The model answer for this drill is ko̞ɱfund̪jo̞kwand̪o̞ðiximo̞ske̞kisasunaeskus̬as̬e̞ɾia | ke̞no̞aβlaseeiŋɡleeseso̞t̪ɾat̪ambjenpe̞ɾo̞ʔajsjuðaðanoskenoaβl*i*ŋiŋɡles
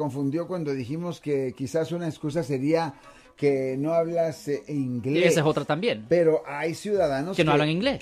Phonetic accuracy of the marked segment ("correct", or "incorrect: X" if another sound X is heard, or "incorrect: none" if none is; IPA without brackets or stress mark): incorrect: a